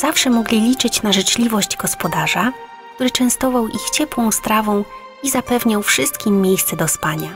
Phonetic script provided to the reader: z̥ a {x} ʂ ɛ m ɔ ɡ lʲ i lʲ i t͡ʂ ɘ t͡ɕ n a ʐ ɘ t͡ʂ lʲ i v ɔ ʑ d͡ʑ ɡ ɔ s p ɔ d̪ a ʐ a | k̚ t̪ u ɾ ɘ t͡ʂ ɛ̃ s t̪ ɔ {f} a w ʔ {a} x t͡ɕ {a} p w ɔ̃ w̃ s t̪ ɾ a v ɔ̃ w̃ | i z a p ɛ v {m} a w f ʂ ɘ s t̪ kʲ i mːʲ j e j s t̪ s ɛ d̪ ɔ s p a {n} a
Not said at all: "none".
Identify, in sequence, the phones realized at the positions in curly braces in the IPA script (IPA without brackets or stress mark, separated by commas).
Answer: f, v, i, ɛ, ɲ, ɲ